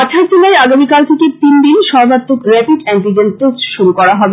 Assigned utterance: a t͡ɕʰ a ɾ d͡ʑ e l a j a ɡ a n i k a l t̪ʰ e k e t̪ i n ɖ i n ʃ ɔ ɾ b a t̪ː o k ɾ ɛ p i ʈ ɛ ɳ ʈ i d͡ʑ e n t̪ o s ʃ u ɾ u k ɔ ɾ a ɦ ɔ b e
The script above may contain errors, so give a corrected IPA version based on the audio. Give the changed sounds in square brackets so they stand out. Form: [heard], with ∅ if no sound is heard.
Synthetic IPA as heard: a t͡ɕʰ a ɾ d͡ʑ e l a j a ɡ a [m] i k a l t̪ʰ e k e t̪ i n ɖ i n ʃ ɔ ɾ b a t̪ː o k ɾ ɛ p i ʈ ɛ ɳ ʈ i d͡ʑ e n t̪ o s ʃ u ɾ u k ɔ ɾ a ɦ ɔ b e